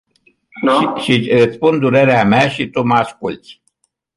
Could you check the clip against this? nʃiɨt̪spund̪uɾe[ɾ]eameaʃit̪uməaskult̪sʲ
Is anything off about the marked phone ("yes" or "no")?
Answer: no